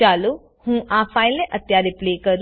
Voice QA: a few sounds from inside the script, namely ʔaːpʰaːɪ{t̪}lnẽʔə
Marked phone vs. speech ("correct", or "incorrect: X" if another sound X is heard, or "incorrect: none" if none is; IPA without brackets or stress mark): incorrect: none